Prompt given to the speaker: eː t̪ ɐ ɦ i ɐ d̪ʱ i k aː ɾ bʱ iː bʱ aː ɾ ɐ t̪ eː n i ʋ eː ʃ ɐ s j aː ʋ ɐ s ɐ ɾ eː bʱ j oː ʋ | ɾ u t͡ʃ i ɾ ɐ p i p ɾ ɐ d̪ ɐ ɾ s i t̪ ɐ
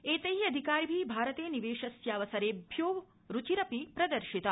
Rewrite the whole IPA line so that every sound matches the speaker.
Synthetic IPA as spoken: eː t̪ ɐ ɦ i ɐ d̪ʱ i k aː ɾ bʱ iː bʱ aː ɾ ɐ t̪ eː n i ʋ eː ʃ ɐ s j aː ʋ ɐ s ɐ ɾ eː bʱ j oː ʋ | ɾ u t͡ʃ i ɾ ɐ p i p ɾ ɐ d̪ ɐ ɾ ʃ i t̪ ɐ